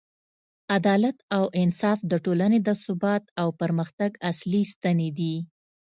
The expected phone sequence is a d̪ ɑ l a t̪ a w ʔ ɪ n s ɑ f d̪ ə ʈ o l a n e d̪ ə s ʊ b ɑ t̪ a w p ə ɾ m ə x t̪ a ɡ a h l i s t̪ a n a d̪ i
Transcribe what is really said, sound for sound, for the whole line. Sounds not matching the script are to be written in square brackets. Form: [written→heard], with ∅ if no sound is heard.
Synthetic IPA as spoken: a d̪ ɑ l a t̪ a w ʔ ɪ n s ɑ f d̪ ə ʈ o l a n e d̪ ə s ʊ b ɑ t̪ a w p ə ɾ m ə x t̪ a ɡ a [h→s] l i s t̪ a n [a→e] d̪ i